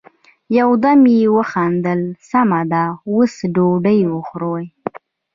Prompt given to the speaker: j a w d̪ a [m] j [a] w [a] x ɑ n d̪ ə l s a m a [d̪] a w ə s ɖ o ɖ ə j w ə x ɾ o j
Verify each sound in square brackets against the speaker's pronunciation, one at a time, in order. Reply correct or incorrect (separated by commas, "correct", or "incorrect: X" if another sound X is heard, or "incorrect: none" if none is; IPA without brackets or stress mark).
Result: correct, incorrect: e, incorrect: ə, correct